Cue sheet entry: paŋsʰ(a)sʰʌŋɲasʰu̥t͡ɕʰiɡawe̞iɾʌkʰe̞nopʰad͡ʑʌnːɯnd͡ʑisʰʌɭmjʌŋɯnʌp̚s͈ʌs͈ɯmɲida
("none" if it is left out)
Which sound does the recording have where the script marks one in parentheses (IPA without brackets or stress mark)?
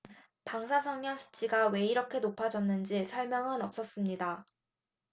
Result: a